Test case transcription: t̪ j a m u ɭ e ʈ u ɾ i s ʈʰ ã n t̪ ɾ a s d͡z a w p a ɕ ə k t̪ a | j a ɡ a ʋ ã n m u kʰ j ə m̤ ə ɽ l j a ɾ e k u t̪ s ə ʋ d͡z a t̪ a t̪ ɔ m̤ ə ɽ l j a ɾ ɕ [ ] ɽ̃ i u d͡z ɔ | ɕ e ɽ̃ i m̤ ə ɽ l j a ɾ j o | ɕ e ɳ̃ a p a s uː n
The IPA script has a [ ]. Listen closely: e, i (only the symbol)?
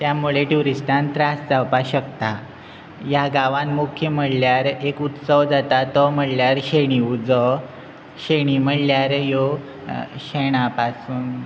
e